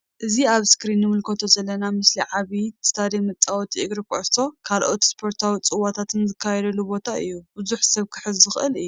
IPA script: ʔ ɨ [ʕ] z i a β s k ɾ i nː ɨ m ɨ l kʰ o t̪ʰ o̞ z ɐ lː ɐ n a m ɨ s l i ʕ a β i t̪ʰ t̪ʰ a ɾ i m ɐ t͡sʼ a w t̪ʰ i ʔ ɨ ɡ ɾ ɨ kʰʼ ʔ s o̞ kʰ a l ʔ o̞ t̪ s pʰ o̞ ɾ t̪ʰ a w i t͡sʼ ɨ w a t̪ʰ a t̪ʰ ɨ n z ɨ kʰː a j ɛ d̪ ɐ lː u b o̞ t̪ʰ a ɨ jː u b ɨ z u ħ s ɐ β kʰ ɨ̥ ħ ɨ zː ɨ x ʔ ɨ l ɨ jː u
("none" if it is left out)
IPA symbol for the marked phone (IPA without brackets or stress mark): none